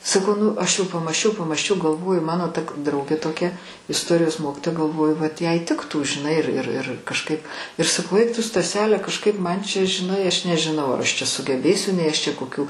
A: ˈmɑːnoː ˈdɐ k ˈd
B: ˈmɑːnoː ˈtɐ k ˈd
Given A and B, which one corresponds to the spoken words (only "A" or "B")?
B